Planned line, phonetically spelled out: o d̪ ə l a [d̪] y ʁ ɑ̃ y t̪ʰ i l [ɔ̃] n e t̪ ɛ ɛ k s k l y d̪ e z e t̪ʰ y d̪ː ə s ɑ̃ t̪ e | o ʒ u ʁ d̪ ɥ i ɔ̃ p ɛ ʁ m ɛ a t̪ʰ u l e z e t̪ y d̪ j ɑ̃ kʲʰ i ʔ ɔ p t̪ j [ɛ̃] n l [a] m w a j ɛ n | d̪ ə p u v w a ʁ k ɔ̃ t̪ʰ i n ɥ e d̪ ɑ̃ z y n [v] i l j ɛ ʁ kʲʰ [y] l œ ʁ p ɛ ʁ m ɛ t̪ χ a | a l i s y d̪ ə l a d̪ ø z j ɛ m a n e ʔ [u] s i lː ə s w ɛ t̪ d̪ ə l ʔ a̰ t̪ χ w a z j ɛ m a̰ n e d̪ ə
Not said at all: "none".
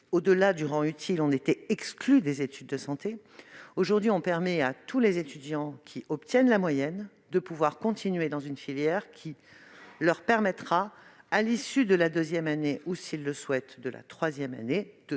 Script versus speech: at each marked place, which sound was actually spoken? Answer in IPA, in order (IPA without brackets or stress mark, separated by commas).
d̪, ɔ̃, ɛ, a, f, i, u